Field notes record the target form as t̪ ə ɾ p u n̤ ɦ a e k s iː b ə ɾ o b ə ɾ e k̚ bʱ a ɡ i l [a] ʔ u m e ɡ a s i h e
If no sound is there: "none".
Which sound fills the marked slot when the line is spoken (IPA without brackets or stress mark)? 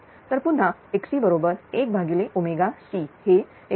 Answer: e